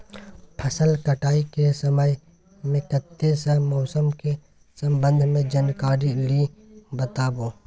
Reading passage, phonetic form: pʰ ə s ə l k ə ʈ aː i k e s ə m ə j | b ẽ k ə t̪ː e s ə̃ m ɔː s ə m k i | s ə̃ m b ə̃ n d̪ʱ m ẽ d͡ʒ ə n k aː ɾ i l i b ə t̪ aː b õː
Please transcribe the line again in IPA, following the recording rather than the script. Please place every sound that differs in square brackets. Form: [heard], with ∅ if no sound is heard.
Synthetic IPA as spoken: pʰ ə s ə l k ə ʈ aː i k e s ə m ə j | [m] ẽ k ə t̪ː e s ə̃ m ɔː s ə m k [e] | s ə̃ m b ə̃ n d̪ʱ m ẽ d͡ʒ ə n k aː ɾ i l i b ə t̪ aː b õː